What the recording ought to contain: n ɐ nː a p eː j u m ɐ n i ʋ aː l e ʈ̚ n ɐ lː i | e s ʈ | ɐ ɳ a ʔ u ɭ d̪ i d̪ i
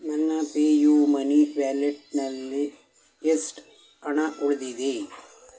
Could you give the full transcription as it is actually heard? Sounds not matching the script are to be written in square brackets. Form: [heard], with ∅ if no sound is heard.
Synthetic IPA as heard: [m] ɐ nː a p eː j u m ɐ n i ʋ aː l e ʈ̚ n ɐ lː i | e s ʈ | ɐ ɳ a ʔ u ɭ d̪ i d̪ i